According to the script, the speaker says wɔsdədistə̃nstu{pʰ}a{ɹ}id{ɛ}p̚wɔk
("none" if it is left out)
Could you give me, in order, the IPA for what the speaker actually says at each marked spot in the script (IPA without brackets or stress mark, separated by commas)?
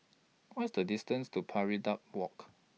pʰ, ɹ, a